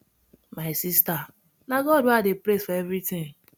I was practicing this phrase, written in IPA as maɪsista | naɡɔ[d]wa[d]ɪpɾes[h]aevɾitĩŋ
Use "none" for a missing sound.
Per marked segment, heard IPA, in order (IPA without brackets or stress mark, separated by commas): d, d, f